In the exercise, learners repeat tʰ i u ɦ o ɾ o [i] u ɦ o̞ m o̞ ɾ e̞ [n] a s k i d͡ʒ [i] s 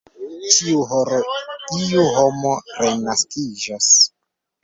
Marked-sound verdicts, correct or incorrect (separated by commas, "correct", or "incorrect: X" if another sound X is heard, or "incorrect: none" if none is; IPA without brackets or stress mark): correct, correct, incorrect: a